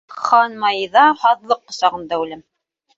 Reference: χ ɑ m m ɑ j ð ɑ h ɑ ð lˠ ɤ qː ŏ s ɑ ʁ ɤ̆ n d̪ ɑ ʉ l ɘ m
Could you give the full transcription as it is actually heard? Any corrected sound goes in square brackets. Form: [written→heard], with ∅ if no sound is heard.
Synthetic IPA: χ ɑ [m→n] m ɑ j ð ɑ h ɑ ð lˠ ɤ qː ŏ s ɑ ʁ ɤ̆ n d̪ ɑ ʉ l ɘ m